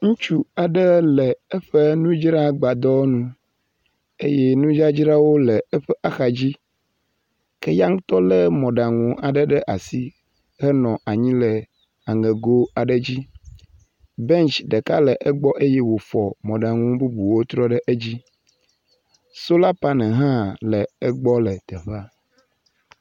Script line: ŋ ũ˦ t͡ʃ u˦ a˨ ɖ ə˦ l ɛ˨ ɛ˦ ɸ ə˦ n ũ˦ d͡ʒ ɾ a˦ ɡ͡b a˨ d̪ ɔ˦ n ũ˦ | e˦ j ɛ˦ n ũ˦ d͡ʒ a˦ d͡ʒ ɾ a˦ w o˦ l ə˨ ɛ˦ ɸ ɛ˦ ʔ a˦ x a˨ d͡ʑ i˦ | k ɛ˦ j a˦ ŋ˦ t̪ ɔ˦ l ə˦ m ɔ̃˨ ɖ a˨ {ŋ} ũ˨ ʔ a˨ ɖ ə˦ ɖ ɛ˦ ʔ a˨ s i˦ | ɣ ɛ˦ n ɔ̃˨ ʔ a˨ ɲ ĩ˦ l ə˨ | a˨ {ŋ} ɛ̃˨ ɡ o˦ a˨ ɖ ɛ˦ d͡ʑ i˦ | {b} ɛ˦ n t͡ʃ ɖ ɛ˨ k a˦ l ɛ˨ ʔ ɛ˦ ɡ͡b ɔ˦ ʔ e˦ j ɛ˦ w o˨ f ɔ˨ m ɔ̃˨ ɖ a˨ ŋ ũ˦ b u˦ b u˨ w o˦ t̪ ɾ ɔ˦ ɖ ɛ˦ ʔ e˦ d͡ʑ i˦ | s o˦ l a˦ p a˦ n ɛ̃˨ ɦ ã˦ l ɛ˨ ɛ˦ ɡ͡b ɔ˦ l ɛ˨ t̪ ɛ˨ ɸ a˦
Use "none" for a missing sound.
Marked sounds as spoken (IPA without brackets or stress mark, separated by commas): ŋ, ŋ, b